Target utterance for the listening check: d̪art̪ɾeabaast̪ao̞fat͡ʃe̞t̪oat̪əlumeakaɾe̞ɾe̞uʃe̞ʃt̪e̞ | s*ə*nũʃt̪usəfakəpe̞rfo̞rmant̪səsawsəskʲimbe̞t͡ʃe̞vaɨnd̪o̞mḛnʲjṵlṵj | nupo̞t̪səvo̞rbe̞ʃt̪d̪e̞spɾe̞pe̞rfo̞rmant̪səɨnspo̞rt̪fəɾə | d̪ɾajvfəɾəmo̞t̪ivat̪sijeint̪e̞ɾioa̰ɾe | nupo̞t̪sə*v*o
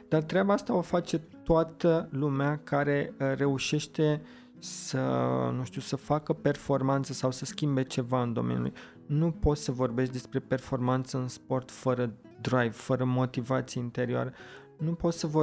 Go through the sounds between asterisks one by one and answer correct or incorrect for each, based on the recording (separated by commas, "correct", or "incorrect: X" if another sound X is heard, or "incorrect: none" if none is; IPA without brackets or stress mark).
correct, correct